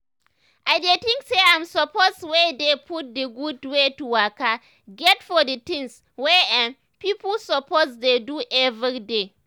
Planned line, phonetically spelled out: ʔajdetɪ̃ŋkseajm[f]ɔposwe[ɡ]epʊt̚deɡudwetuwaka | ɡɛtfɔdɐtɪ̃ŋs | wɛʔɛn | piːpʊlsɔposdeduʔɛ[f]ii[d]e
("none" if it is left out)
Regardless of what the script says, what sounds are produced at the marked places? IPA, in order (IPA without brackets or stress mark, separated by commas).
s, d, v, d